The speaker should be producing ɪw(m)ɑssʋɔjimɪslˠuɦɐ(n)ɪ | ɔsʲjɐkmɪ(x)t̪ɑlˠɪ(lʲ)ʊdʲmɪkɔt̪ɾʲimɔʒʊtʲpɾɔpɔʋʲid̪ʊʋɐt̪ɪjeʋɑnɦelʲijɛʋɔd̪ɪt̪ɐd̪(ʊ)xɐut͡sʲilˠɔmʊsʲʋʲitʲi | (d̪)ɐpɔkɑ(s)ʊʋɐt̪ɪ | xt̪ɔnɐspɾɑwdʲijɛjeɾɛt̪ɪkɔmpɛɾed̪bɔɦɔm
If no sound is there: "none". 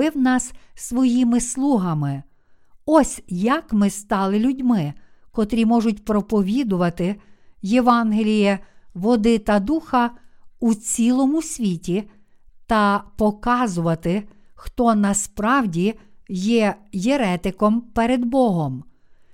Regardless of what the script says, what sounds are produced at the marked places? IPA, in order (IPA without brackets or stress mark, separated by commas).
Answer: n, m, s, lʲ, u, t̪, z